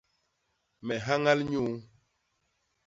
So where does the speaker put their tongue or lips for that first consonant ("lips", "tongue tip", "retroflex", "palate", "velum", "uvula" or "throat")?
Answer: lips